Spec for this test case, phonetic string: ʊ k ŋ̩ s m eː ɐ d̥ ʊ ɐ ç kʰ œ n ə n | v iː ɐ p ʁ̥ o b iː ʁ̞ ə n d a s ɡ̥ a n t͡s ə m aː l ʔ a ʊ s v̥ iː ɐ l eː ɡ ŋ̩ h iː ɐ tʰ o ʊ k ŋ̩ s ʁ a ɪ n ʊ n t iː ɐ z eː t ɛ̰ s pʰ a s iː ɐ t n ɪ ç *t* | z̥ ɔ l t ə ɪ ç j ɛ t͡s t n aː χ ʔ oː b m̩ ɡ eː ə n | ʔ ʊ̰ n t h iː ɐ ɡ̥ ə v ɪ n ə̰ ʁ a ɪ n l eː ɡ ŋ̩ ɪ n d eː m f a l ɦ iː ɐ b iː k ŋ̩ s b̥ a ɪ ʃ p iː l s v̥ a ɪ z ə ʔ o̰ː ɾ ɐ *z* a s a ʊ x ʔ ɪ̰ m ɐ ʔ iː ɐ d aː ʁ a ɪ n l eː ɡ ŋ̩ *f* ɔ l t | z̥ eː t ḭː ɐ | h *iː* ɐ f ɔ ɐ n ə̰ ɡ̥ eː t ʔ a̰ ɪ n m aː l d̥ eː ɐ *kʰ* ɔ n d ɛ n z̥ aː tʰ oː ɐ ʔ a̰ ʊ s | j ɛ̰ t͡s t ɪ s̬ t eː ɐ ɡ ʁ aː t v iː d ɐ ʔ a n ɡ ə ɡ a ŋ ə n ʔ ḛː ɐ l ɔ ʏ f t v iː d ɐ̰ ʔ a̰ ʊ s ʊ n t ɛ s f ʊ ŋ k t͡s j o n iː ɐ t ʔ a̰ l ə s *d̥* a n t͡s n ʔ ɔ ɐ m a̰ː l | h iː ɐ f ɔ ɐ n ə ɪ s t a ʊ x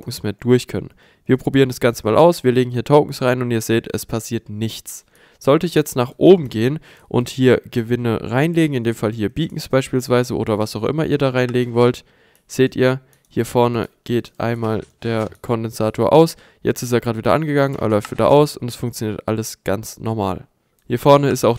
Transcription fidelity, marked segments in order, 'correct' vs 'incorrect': incorrect, incorrect, incorrect, correct, correct, incorrect

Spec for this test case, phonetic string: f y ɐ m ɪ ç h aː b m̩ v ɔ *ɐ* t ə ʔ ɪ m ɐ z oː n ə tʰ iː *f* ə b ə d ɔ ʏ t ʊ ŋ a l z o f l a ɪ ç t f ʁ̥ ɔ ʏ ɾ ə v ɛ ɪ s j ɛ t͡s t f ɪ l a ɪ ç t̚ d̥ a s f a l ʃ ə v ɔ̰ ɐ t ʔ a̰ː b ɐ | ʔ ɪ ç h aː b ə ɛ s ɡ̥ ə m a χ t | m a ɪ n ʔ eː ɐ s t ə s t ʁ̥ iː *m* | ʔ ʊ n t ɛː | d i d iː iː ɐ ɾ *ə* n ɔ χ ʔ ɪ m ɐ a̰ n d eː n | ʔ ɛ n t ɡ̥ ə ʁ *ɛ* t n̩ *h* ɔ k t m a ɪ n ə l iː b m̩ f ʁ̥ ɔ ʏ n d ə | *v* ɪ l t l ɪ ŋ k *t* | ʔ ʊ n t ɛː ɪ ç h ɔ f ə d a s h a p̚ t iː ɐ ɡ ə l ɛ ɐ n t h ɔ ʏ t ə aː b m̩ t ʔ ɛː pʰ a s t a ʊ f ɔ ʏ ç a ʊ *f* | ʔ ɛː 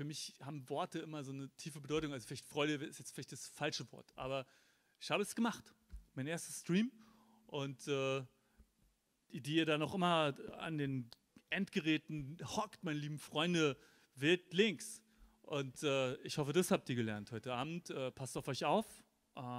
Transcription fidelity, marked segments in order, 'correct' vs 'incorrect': correct, correct, correct, incorrect, incorrect, correct, correct, incorrect, correct

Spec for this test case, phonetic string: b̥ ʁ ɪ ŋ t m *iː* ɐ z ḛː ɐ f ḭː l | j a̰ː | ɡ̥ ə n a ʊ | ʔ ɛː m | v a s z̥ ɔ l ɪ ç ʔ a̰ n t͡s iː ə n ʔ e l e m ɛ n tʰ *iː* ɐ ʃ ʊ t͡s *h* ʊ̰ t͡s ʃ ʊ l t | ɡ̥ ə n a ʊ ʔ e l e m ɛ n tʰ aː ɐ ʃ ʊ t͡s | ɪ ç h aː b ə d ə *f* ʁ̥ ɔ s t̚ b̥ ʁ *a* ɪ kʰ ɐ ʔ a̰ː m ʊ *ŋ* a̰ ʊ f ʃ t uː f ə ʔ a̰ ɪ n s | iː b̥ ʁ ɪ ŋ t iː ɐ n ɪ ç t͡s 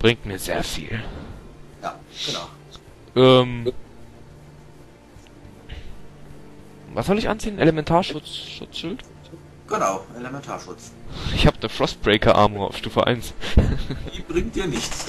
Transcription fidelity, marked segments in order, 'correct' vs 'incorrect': correct, incorrect, incorrect, correct, incorrect, correct

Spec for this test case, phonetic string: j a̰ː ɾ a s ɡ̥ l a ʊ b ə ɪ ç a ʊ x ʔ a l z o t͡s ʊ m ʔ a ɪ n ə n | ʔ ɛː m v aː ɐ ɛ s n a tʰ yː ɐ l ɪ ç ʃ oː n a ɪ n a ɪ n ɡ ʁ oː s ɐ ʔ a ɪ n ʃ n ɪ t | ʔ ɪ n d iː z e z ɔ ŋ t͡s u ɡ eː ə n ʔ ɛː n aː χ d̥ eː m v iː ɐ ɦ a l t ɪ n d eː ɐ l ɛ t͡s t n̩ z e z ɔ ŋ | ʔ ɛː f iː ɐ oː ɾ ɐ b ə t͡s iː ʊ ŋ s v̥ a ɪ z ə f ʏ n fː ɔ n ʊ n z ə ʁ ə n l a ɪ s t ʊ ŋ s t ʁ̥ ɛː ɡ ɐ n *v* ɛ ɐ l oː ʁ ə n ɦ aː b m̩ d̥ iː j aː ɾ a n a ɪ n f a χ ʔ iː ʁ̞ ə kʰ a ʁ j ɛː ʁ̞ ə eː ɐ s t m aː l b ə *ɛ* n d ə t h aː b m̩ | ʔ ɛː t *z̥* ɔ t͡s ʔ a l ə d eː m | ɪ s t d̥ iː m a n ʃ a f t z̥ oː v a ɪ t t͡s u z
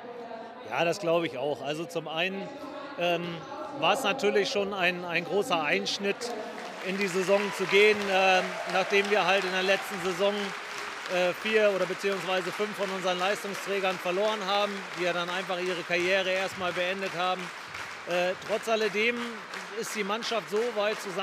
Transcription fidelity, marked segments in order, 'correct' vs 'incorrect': incorrect, correct, incorrect

